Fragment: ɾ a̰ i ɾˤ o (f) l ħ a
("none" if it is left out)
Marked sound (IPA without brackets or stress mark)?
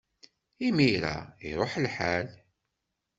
ħ